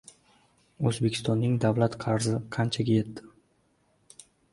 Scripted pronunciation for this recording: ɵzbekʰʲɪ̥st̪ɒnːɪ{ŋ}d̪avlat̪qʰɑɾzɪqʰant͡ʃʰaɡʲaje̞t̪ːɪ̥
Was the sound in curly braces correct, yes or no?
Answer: yes